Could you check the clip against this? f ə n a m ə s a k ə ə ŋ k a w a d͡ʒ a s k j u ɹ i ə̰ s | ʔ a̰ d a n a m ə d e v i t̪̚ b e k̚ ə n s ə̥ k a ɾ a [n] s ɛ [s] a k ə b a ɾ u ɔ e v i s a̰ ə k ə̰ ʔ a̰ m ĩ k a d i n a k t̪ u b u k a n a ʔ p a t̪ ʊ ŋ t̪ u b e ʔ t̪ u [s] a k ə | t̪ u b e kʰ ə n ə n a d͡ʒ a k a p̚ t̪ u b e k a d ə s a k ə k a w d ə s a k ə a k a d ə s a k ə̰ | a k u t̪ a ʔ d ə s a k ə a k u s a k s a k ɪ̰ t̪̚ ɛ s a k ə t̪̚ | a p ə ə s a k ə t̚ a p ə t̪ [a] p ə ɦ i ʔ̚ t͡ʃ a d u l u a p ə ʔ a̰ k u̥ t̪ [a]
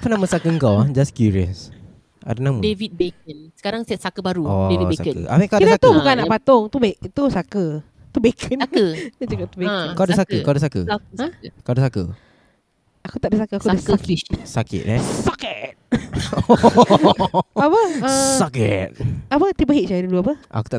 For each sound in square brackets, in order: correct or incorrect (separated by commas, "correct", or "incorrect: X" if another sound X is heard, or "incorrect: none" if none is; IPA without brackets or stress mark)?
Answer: incorrect: ŋ, correct, correct, incorrect: i, correct